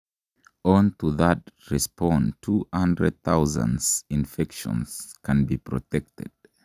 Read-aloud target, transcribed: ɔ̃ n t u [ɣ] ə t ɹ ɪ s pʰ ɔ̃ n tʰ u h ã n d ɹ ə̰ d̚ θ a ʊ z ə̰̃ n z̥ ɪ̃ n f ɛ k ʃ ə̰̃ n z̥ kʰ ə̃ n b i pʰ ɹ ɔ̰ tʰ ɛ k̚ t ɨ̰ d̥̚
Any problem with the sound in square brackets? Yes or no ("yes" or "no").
yes